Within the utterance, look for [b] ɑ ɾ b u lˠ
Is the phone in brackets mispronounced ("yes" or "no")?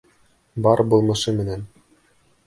no